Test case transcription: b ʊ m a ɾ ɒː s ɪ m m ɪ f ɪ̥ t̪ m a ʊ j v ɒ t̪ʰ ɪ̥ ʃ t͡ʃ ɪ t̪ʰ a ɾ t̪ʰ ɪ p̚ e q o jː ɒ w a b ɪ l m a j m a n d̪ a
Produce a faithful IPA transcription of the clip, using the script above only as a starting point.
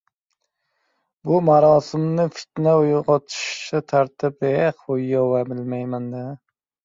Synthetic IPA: b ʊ m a ɾ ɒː s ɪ m n ɪ f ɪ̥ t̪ n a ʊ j ʁ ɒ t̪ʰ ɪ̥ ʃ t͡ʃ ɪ t̪ʰ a ɾ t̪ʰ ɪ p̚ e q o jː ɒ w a b ɪ l m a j m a n d̪ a